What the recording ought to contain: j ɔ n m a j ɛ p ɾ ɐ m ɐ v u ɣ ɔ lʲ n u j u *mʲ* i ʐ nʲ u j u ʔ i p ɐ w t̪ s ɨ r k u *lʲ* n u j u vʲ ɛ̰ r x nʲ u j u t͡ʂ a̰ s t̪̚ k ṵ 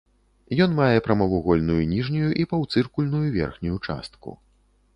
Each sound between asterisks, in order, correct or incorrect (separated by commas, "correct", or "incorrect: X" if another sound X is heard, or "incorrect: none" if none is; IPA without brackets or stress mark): incorrect: nʲ, correct